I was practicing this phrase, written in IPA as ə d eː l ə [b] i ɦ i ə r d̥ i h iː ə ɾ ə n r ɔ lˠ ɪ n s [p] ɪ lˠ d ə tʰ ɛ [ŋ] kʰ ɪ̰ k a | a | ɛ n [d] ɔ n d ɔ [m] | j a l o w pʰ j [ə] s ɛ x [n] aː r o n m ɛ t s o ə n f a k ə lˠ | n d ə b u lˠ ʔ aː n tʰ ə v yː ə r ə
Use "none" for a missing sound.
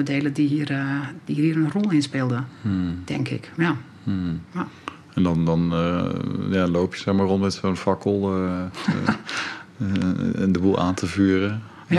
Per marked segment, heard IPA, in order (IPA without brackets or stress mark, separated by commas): d, p, ŋ, d, n, ə, m